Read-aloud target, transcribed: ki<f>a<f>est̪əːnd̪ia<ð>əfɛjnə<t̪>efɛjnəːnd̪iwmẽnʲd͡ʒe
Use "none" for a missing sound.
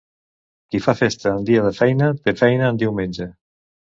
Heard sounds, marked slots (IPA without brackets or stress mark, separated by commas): f, f, ð, t̪